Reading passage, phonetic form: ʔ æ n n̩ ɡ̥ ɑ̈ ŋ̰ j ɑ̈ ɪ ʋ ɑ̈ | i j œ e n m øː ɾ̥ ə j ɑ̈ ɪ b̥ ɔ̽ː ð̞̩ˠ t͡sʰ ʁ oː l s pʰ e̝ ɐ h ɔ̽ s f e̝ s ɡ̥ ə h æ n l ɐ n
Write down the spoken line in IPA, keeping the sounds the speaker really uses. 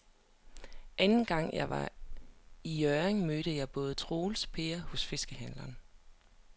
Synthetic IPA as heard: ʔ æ n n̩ ɡ̥ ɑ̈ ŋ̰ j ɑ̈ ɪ ʋ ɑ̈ | i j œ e ŋ m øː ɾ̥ ə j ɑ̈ ɪ b̥ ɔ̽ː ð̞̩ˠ t͡sʰ ʁ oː l s pʰ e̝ ɐ h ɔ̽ s f e̝ s ɡ̥ ə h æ n l ɐ n